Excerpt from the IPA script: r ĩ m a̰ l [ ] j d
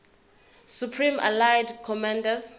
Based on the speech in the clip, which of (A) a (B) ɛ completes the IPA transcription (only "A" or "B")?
A